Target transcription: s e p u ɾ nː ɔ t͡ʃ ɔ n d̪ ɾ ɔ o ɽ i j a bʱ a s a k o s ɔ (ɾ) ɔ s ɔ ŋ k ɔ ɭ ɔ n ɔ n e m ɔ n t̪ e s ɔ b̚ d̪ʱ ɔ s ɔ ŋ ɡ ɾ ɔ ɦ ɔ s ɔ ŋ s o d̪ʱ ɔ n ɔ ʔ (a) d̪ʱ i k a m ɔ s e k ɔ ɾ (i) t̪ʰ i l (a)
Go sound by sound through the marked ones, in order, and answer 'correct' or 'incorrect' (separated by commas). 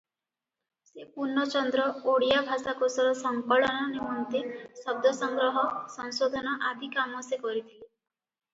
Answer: correct, correct, correct, incorrect